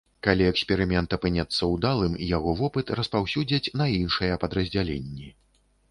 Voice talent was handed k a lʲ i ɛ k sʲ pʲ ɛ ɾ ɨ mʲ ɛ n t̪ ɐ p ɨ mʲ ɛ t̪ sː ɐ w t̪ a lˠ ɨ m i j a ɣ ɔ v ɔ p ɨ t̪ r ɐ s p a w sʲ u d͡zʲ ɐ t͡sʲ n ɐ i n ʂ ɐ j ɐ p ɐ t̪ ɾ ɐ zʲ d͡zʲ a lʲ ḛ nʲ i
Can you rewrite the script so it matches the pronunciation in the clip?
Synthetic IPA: k a lʲ i ɛ k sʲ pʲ ɛ ɾ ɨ mʲ ɛ n t̪ ɐ p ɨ nʲ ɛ t̪ sː ɐ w d̪ a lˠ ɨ m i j a ɣ ɔ v ɔ p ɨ t̪ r ɐ s p a w sʲ u d͡zʲ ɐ t͡sʲ n ɐ i n ʂ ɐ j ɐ p ɐ d̪ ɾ ɐ zʲ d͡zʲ a lʲ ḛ nʲː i